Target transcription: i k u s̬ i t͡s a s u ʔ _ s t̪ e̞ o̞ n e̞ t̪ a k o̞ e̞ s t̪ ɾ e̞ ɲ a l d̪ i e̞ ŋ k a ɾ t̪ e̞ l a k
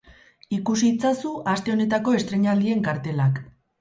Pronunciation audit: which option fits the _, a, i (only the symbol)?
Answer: a